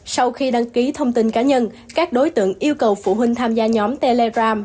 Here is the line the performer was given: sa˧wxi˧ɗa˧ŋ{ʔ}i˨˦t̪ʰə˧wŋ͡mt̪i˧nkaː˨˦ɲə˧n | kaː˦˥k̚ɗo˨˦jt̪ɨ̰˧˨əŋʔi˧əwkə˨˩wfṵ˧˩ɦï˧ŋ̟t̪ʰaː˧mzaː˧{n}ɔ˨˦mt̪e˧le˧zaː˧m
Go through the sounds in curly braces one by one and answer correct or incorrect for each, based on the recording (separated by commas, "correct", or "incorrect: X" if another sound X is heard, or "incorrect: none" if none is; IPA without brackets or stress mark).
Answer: incorrect: k, incorrect: ɲ